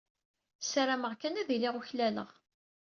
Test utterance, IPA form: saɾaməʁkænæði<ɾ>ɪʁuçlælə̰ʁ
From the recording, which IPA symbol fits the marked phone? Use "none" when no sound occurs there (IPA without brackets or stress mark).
l